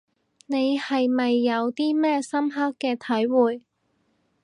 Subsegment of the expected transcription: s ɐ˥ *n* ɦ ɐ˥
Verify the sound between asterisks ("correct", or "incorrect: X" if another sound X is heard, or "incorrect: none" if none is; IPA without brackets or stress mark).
incorrect: m